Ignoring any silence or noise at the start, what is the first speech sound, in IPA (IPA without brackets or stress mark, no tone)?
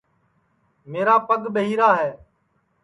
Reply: m